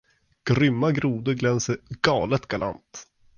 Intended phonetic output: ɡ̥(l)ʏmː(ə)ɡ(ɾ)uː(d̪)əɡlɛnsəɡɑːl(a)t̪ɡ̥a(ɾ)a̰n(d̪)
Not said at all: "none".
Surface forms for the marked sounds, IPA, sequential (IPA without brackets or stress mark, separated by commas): ɾ, a, ɾ, d̪, ə, l, t̪